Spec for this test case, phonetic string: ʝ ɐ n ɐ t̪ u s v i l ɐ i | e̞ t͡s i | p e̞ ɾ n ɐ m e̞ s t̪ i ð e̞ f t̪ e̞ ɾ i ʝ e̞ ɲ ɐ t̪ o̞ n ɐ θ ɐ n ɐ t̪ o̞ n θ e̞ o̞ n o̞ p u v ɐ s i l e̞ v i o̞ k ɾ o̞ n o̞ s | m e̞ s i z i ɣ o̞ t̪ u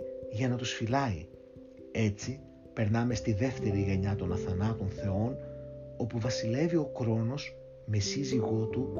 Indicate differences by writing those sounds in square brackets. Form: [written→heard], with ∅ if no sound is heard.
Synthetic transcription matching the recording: ʝ ɐ n ɐ t̪ u s [v→f] i l ɐ i | e̞ t͡s i | p e̞ ɾ n ɐ m e̞ s t̪ i ð e̞ f t̪ e̞ ɾ i ʝ e̞ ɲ ɐ t̪ o̞ n ɐ θ ɐ n ɐ t̪ o̞ n θ e̞ o̞ n o̞ p u v ɐ s i l e̞ v i o̞ k ɾ o̞ n o̞ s | m e̞ s i z i ɣ o̞ t̪ u